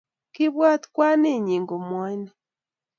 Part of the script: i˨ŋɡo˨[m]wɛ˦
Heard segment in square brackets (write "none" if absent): m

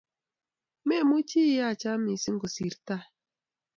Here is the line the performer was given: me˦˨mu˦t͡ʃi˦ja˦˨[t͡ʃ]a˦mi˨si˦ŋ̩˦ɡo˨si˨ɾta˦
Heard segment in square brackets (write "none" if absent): t͡ʃ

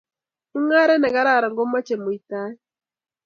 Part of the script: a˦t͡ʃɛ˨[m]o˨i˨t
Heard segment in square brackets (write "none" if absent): m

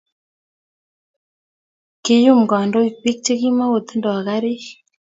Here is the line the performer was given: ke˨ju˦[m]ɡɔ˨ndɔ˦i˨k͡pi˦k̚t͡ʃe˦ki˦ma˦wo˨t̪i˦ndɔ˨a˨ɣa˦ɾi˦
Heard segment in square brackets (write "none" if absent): m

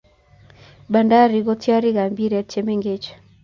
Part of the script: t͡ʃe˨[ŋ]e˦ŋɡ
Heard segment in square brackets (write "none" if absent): m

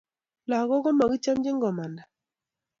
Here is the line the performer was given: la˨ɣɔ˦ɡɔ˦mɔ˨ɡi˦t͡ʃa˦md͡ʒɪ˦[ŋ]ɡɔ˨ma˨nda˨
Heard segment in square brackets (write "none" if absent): ŋ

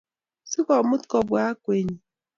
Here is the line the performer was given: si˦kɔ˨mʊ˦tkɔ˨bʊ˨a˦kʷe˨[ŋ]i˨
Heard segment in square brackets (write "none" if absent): ɲ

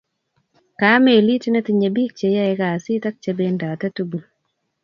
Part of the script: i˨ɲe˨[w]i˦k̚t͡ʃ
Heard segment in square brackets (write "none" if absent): b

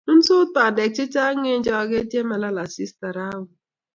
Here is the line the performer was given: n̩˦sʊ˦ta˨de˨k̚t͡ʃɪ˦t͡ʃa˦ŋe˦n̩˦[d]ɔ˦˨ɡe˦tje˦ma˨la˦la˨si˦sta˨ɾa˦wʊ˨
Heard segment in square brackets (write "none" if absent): d͡ʒ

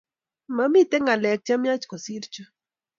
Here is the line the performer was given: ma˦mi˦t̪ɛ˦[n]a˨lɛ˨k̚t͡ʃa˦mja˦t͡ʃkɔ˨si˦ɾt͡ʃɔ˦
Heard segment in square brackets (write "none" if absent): ŋ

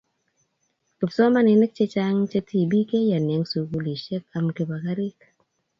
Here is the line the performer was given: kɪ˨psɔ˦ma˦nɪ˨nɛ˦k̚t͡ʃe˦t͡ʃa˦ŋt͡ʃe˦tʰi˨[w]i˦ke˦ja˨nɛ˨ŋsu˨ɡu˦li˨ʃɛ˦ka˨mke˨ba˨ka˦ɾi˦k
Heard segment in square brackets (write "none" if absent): b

